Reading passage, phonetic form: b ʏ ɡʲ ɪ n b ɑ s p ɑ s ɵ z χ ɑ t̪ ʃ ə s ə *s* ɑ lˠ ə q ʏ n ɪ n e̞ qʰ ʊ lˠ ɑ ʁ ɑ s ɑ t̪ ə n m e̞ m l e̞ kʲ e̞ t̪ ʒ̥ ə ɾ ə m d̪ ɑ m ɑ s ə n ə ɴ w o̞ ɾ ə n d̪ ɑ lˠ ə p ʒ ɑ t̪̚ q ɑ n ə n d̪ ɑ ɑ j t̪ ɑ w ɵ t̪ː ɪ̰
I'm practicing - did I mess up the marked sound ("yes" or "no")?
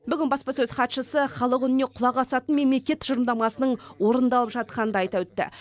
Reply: yes